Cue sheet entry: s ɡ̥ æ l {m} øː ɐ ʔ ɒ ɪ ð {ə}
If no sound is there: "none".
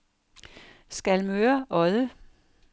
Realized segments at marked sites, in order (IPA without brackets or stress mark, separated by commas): m, ə